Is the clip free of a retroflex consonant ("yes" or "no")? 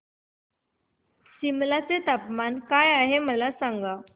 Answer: yes